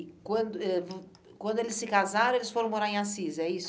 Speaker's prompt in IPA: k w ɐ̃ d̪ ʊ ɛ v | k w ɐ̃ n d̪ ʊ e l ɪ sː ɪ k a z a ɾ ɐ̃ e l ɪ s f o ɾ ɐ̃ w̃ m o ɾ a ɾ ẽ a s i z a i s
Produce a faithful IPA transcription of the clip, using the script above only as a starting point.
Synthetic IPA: k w ɐ̃ d̪ ʊ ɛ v | k w ɐ̃ n d̪ ʊ e l ɪ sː ɪ k a z a ɾ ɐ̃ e l ɪ s f o ɾ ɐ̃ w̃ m o ɾ a ɾ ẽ a s i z ɛ i s